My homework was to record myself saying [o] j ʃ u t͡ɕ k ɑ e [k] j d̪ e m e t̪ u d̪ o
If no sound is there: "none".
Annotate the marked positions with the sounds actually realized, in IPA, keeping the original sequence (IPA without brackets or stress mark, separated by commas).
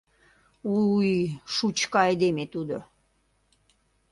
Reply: u, none